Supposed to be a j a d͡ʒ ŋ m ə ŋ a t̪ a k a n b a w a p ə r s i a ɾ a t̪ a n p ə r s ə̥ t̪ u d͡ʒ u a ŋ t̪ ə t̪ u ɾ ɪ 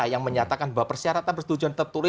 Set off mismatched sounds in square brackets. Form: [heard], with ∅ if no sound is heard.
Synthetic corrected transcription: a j a [∅] ŋ m ə [ɲ] a t̪ a k a n b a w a p ə r s i a ɾ a t̪ a n p ə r s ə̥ t̪ u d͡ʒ u a [n] t̪ ə t̪ u ɾ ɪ